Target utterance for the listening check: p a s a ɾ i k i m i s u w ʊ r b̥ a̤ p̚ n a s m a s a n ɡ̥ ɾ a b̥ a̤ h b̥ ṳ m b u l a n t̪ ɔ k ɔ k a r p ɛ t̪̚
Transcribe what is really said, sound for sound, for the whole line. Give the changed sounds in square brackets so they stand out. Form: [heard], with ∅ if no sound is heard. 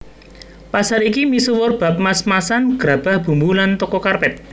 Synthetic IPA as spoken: p a s a ɾ i k i m i s u w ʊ r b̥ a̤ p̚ [m] a s m a s a n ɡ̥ ɾ a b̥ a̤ h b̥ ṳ m b u l a n t̪ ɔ k ɔ k a r p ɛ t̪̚